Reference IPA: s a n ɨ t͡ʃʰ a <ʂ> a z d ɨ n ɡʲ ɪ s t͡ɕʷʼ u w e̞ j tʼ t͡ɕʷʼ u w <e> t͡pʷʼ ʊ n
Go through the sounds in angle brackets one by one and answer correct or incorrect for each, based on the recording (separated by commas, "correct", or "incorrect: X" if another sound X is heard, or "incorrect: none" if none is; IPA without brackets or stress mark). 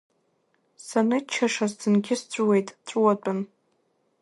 correct, incorrect: a